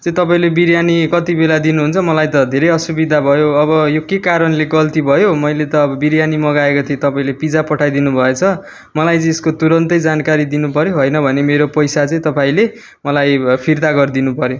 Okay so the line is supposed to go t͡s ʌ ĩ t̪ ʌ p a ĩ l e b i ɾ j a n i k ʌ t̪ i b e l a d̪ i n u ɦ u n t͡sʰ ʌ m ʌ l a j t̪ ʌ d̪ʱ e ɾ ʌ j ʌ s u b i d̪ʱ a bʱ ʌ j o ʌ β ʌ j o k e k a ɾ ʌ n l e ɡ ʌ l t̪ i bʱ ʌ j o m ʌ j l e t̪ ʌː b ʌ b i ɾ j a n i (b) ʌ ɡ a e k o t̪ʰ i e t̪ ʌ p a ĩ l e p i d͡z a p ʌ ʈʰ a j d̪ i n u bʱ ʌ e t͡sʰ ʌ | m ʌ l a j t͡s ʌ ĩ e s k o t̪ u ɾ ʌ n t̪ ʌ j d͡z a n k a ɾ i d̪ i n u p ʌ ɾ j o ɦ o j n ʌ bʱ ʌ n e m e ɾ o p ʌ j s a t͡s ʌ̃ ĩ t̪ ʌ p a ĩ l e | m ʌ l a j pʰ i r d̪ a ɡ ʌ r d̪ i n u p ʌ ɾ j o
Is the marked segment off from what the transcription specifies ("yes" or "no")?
yes